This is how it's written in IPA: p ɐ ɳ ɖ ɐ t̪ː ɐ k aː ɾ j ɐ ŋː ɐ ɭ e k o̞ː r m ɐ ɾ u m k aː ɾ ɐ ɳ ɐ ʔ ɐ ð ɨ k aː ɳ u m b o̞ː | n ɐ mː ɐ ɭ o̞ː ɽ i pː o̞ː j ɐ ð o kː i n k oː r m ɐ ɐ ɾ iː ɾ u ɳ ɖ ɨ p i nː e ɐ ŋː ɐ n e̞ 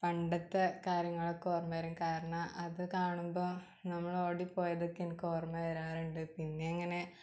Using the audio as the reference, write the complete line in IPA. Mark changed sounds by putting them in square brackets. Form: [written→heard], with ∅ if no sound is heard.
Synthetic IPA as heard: p ɐ ɳ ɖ ɐ t̪ː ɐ k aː ɾ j ɐ ŋː ɐ ɭ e k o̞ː r m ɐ ɾ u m k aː ɾ ɐ ɳ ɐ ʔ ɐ ð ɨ k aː ɳ u m b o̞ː | n ɐ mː ɐ ɭ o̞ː ɽ i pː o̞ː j ɐ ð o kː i n k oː r m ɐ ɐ ɾ [iː→aː] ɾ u ɳ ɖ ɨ p i nː e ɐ ŋː ɐ n e̞